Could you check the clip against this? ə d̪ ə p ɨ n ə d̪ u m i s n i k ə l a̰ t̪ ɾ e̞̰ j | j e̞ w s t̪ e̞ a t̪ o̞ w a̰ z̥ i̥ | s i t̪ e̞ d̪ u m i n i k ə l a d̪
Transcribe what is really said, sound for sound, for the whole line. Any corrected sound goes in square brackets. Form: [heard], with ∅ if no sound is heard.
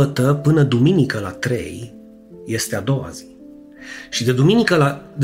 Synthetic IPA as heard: ə [t̪] ə p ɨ n ə d̪ u m i [∅] n i k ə l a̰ t̪ ɾ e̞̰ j | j e̞ [∅] s t̪ e̞ a [d̪] o̞ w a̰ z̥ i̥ | [ʃ] i [d̪] e̞ d̪ u m i n i k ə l a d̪